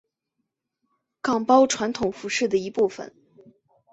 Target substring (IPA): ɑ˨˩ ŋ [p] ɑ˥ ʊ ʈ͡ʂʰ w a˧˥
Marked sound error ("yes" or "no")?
no